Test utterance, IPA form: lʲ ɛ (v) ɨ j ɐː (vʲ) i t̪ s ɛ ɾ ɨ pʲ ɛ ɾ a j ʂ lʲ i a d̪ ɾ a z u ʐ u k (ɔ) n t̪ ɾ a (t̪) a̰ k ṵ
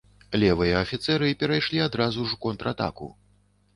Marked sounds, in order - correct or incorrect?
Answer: correct, incorrect: fʲ, correct, correct

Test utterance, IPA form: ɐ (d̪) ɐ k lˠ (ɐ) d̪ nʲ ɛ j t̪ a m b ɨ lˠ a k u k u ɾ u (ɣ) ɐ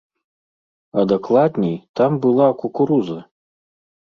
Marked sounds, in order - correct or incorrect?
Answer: correct, incorrect: a, incorrect: z

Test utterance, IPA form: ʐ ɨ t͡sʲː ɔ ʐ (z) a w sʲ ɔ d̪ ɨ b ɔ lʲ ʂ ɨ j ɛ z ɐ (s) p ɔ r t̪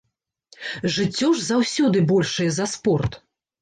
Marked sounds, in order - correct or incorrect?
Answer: correct, correct

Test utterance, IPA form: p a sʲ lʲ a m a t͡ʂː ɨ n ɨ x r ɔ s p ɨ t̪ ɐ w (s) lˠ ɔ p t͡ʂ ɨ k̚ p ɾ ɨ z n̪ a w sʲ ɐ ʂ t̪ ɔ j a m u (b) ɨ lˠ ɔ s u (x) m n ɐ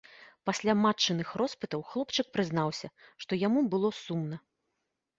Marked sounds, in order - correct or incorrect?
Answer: incorrect: x, correct, incorrect: none

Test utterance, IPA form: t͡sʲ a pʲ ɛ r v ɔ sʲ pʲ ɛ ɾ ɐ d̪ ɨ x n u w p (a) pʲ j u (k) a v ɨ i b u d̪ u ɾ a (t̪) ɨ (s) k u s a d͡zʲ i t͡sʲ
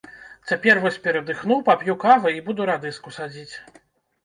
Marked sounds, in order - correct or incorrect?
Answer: correct, correct, incorrect: d̪, correct

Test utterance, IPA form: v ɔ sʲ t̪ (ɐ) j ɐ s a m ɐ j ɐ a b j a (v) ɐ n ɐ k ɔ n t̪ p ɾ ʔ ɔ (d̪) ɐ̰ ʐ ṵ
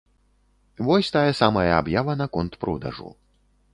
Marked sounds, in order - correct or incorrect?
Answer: incorrect: a, correct, correct

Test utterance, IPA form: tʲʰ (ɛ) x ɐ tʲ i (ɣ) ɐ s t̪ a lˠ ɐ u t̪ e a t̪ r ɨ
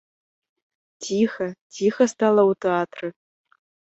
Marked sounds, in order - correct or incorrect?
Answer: incorrect: i, incorrect: x

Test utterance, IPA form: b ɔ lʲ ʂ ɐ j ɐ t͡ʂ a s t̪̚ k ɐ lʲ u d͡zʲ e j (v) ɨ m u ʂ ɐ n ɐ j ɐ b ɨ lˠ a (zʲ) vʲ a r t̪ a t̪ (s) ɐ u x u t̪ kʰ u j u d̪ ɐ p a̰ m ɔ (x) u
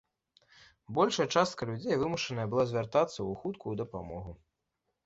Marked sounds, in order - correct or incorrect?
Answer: correct, correct, incorrect: sː, incorrect: ɣ

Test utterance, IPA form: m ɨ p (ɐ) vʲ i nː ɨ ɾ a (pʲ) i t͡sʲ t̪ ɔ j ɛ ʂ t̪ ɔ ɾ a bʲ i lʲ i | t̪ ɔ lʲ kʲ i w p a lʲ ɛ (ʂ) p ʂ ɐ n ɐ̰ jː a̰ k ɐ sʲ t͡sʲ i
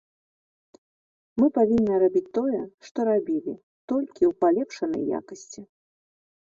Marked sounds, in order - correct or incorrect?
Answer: incorrect: a, incorrect: bʲ, incorrect: none

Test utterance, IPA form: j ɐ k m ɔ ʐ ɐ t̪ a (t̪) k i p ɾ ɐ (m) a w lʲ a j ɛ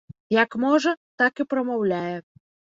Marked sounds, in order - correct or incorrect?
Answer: incorrect: none, correct

